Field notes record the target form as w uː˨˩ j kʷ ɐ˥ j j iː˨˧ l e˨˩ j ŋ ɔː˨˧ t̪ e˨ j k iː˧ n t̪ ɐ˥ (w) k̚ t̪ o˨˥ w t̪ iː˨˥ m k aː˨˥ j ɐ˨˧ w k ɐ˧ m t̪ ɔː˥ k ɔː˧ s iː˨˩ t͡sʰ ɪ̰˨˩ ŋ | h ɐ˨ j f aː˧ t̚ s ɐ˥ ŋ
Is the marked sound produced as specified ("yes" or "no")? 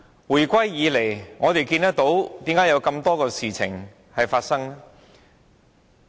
no